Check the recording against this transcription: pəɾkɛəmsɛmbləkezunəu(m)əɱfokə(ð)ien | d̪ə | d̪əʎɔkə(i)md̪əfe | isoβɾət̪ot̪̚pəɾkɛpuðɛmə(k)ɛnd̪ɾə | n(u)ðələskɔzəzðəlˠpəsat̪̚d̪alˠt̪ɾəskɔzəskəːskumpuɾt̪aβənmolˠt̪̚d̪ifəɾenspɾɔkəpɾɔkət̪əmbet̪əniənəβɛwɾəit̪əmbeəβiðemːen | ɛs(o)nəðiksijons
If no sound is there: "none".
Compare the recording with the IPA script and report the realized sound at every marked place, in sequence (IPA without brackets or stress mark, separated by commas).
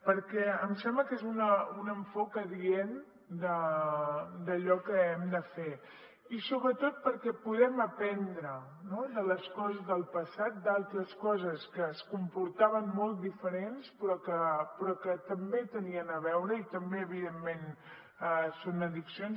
n, ð, ɛ, p, o, o